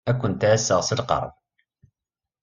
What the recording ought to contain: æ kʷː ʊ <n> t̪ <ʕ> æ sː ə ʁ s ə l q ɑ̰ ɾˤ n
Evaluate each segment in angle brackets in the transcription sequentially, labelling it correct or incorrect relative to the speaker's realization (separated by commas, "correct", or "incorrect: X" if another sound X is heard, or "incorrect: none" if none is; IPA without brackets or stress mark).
correct, correct